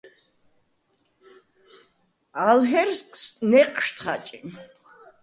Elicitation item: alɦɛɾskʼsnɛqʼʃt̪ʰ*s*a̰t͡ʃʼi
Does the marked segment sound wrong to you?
yes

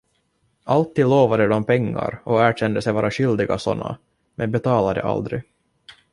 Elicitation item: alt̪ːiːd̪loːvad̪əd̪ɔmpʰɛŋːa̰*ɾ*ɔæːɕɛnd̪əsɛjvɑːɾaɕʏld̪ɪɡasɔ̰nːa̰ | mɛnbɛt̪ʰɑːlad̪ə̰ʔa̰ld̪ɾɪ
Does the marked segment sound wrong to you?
no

